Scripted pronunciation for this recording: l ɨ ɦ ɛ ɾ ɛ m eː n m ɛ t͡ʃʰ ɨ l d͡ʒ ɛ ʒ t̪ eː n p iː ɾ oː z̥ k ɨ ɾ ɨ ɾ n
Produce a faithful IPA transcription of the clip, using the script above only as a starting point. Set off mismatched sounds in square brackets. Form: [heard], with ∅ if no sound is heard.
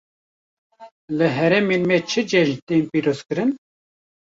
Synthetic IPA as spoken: l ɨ ɦ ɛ ɾ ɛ m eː n m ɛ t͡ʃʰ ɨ [∅] d͡ʒ ɛ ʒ t̪ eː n p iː ɾ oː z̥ k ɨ ɾ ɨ [∅] n